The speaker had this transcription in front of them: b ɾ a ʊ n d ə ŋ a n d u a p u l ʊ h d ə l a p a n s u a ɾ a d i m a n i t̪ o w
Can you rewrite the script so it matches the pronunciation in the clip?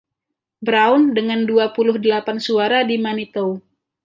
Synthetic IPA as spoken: b ɾ a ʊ n d ə ŋ a n d u a p u l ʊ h d ə l a p a n s u a ɾ a d i m a n i t̪ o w